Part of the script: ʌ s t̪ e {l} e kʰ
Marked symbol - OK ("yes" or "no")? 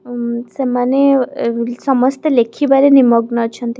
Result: yes